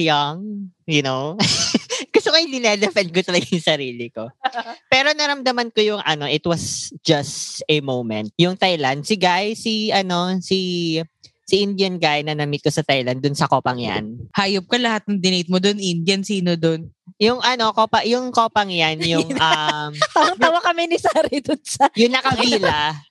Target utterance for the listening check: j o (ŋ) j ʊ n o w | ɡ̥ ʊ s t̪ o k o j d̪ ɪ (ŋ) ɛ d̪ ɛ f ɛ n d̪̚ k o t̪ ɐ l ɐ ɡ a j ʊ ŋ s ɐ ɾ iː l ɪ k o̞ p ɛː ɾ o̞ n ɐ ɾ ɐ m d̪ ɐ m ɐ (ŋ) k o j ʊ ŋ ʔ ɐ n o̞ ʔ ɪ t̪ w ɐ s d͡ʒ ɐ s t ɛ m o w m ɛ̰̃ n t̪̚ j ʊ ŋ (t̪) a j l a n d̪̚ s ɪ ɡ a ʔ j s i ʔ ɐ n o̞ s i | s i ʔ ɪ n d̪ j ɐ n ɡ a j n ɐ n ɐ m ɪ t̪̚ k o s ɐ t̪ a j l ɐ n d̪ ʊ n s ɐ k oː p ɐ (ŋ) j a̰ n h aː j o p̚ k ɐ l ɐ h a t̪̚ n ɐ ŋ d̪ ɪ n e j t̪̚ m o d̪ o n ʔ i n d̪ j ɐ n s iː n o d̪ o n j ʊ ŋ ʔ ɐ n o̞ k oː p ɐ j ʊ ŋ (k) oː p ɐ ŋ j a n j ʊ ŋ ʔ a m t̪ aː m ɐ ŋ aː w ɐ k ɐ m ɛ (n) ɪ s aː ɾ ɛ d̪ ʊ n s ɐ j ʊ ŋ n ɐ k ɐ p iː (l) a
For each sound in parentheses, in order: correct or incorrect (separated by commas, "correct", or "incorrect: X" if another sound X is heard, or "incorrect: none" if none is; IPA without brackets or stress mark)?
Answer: correct, incorrect: n, incorrect: n, correct, correct, correct, correct, correct